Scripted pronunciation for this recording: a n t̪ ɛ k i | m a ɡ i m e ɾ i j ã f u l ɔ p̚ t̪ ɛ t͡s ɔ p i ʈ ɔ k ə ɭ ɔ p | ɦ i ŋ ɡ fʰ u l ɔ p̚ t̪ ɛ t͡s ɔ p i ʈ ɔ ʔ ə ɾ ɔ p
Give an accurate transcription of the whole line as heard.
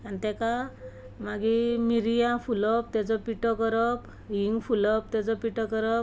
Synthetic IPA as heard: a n t̪ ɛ k a | m a ɡ i m i ɾ i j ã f u l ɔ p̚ t̪ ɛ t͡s ɔ p i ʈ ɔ k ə ɾ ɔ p | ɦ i ŋ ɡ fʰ u l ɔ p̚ t̪ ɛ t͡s ɔ p i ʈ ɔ k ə ɾ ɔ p